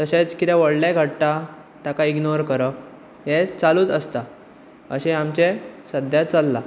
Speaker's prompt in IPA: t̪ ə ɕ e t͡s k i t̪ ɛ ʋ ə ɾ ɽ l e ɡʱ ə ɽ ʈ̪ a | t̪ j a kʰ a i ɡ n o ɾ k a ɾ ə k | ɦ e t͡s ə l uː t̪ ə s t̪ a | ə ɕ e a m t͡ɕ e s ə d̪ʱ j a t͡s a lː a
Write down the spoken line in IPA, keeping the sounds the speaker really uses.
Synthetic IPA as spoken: t̪ ə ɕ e t͡s k i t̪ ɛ ʋ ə ɽ l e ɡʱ ə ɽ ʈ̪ a | t̪ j a k a i ɡ n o ɾ k ə ɾ ə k | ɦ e t͡s a l uː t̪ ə s t̪ a | ə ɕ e a m t͡ɕ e s ə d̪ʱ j a t͡s a lː a